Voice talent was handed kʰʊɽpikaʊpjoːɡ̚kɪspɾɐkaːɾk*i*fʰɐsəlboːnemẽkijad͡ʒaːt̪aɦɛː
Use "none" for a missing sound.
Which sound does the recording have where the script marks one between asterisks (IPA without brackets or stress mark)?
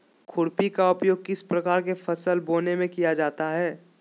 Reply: e